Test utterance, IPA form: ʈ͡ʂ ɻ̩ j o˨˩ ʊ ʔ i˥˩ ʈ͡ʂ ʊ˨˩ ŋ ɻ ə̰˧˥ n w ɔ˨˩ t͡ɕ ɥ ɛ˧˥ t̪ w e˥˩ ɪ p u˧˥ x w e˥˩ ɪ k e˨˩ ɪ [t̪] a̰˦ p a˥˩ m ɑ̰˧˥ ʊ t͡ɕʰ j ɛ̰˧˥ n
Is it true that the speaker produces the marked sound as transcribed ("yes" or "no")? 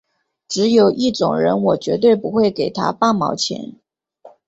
no